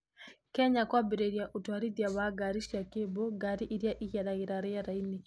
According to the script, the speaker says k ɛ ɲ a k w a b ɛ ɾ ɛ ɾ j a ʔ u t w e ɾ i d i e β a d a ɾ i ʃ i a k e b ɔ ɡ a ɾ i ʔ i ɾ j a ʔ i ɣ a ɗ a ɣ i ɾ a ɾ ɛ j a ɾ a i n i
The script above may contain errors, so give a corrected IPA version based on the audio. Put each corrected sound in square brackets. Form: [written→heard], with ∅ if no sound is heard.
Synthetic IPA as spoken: k ɛ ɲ a k w a b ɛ ɾ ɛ ɾ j a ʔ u t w [e→a] ɾ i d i [e→a] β a [d→ɡ] a ɾ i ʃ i a k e b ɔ ɡ a ɾ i ʔ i ɾ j a ʔ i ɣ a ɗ a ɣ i ɾ a ɾ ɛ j a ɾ a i n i